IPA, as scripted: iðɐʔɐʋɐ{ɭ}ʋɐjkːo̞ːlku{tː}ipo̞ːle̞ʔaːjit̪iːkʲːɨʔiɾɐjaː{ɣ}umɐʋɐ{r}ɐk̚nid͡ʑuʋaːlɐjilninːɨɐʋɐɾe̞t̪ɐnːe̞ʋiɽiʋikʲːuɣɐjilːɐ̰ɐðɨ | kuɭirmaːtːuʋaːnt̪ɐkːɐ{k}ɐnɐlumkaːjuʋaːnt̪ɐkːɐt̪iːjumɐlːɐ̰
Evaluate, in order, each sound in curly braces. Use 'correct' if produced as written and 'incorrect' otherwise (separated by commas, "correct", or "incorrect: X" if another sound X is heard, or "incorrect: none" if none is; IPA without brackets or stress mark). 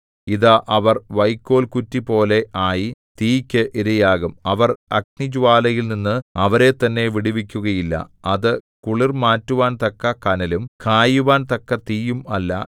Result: incorrect: r, correct, correct, correct, correct